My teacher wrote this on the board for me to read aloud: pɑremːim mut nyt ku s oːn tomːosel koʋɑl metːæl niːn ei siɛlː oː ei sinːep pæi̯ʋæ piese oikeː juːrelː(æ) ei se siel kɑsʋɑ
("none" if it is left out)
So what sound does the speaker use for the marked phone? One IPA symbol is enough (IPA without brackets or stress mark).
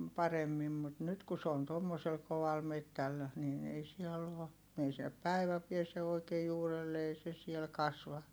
e